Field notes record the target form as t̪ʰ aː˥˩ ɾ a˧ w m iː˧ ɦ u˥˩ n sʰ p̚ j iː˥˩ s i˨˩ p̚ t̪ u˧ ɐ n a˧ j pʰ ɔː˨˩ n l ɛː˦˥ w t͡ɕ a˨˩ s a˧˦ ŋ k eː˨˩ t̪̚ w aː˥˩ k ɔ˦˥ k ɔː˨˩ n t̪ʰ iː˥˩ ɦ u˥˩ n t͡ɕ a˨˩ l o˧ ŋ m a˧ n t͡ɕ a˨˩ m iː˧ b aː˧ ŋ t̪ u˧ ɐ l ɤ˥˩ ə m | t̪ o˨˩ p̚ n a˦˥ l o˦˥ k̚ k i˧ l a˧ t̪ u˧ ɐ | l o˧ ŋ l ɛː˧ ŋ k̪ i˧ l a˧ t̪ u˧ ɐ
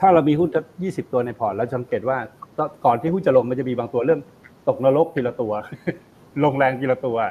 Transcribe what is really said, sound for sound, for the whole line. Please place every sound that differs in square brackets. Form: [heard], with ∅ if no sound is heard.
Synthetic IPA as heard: t̪ʰ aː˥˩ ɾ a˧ w m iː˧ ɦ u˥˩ n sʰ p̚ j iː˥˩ s i˨˩ p̚ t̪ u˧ ɐ n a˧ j pʰ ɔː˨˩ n l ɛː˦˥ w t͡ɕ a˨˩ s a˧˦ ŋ k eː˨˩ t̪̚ w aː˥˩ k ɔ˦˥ k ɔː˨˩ n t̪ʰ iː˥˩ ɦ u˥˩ n t͡ɕ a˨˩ l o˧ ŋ m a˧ n t͡ɕ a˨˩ m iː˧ b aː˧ ŋ t̪ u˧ ɐ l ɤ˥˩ ə m | t̪ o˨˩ [k̚] n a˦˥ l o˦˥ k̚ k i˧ l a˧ t̪ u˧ ɐ | l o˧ ŋ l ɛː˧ ŋ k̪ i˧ l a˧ t̪ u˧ ɐ